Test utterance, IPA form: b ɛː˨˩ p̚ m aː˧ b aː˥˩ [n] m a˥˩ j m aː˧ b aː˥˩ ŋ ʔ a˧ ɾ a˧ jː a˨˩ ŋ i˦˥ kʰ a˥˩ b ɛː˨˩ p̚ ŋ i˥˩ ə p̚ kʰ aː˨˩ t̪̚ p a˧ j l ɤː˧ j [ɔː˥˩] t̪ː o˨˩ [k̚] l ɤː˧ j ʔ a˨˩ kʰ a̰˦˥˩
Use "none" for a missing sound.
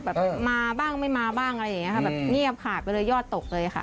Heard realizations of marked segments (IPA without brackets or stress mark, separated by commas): ŋ, ɔː˥˩, k̚